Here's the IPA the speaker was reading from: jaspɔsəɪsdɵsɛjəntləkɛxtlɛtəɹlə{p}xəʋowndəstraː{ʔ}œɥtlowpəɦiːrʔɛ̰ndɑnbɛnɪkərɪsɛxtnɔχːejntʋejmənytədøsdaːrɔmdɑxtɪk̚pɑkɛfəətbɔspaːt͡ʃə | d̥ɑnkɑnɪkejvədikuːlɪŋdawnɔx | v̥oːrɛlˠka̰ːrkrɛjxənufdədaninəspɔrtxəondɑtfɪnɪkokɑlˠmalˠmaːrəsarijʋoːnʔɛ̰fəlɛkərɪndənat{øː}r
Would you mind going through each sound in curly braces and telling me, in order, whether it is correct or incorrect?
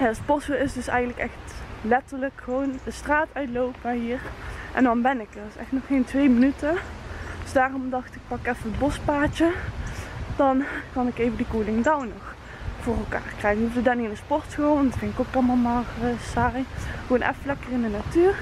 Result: incorrect: k, incorrect: t, incorrect: yː

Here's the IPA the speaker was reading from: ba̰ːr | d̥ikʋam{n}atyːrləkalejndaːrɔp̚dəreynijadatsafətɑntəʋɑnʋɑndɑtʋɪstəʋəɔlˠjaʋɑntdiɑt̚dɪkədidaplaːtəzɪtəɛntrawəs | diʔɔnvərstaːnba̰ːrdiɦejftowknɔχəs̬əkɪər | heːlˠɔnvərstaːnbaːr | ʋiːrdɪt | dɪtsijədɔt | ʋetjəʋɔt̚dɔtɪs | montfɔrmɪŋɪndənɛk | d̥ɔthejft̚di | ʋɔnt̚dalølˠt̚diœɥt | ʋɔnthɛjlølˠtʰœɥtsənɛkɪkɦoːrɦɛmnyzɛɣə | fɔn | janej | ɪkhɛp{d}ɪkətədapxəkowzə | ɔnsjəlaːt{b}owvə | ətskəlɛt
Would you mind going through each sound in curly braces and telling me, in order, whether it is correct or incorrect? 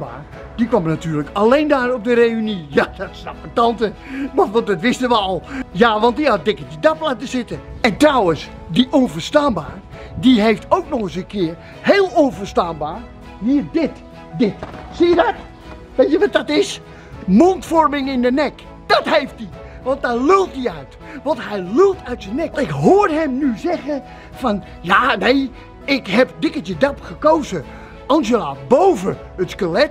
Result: correct, correct, correct

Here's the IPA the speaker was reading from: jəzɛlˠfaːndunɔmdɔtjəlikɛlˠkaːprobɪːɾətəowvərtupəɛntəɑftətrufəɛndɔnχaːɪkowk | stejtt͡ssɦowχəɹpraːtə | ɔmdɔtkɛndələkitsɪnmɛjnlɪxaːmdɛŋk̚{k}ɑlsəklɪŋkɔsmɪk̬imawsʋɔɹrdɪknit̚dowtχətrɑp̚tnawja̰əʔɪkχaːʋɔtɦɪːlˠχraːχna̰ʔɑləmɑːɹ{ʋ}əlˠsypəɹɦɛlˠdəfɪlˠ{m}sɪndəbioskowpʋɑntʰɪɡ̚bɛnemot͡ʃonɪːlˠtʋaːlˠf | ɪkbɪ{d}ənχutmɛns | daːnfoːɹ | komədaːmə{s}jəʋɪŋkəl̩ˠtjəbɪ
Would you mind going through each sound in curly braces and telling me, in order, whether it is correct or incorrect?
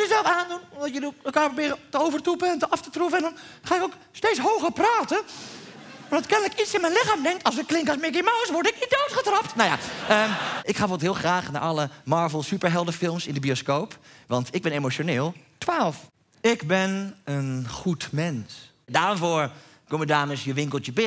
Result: incorrect: t, incorrect: v, correct, incorrect: n, correct

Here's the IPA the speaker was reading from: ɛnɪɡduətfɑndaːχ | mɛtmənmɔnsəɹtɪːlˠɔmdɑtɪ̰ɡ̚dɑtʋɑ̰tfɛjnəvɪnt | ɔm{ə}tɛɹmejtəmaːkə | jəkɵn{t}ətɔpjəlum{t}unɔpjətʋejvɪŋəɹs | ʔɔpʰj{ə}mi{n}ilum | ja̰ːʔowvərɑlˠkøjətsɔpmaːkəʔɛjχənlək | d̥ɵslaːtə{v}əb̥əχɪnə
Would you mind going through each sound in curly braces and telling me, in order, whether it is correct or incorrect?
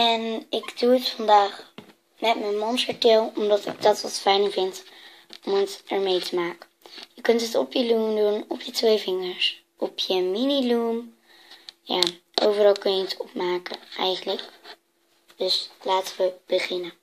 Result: correct, correct, incorrect: d, correct, correct, incorrect: ʋ

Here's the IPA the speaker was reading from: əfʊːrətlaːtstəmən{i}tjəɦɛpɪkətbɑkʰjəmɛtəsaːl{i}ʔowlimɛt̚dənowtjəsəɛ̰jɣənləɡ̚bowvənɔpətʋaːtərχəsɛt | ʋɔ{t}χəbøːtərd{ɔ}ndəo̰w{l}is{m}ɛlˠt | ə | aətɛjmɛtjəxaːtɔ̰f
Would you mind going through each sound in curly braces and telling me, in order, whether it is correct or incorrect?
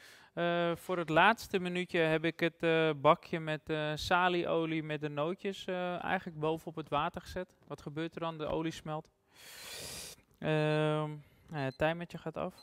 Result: incorrect: y, correct, correct, correct, correct, correct

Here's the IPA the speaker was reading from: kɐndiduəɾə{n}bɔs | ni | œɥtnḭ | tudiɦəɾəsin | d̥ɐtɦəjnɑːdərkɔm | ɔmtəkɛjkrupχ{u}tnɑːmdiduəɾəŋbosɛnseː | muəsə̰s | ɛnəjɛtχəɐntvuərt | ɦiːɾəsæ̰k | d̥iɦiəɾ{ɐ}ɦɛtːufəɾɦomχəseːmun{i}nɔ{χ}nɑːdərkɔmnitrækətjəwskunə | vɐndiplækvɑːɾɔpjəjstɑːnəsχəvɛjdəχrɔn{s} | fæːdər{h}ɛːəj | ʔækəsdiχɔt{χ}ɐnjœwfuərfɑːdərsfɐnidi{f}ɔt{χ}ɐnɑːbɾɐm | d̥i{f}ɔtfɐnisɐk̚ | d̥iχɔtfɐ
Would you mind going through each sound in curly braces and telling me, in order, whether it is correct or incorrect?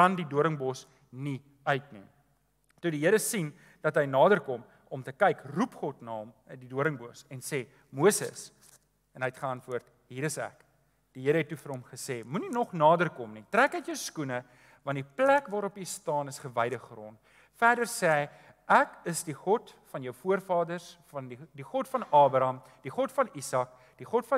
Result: incorrect: ŋ, incorrect: ɔ, incorrect: ə, correct, correct, incorrect: t, incorrect: s, incorrect: f, incorrect: χ, incorrect: f, incorrect: χ

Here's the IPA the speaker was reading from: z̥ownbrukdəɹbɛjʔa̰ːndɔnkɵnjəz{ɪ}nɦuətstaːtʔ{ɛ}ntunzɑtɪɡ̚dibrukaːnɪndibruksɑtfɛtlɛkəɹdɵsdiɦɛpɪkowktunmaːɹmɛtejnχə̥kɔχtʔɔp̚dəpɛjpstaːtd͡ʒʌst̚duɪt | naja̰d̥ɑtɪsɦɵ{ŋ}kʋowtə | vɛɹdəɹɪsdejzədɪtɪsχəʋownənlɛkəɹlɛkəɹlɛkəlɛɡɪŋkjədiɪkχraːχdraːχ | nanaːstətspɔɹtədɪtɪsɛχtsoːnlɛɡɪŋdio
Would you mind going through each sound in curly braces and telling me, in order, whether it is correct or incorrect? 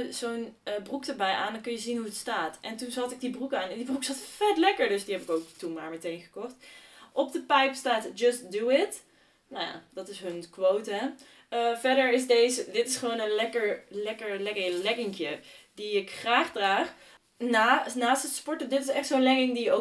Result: incorrect: i, correct, incorrect: n

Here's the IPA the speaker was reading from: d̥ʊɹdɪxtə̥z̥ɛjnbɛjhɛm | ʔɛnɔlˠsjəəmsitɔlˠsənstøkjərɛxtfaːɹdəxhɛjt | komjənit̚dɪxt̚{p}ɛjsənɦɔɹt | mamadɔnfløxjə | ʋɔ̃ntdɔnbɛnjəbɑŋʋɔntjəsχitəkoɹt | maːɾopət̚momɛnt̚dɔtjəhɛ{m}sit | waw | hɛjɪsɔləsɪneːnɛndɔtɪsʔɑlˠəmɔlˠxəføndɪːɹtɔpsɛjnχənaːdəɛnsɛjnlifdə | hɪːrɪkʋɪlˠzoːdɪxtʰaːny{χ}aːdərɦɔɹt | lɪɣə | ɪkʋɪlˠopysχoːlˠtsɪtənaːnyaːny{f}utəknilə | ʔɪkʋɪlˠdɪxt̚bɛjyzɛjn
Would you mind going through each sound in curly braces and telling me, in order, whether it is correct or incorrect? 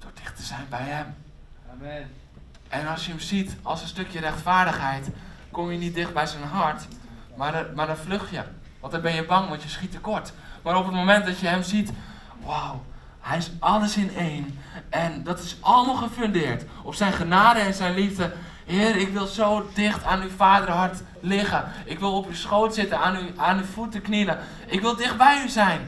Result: incorrect: b, correct, incorrect: f, correct

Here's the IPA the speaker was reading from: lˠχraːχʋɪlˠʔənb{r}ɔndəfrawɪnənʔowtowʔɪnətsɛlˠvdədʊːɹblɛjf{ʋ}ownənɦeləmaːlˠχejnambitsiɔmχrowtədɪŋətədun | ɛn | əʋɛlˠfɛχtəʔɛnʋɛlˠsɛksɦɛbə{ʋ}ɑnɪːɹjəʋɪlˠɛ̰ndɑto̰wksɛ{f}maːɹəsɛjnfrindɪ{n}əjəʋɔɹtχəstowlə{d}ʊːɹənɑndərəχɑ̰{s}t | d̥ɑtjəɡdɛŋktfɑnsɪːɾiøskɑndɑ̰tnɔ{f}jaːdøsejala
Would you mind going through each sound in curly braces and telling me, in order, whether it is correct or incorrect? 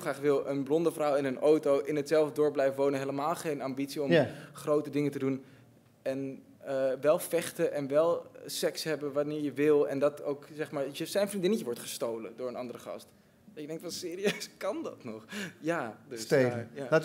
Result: incorrect: l, correct, correct, incorrect: χ, correct, correct, correct, incorrect: χ

